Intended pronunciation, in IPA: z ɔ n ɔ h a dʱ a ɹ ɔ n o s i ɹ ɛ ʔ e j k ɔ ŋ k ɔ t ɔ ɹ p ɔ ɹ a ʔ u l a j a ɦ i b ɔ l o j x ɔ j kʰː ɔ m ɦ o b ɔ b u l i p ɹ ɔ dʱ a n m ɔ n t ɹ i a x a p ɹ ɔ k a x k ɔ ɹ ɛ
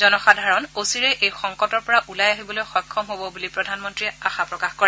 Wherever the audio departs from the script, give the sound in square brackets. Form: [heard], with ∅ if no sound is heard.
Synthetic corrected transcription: z ɔ n ɔ [x] a dʱ a ɹ ɔ n o s i ɹ ɛ ʔ e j [x] ɔ ŋ k ɔ t ɔ ɹ p ɔ ɹ a ʔ u l a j a ɦ i b ɔ l o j x ɔ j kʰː ɔ m ɦ o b ɔ b u l i p ɹ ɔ dʱ a n m ɔ n t ɹ i a x a p ɹ ɔ k a x k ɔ ɹ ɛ